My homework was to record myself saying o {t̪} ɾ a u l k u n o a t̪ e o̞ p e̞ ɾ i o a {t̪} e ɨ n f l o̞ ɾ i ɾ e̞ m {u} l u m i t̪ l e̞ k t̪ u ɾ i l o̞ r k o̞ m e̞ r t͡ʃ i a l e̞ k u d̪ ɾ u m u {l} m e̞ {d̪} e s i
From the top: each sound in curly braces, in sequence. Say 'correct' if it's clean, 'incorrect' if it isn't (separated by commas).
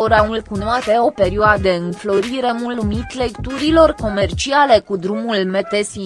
incorrect, incorrect, correct, correct, incorrect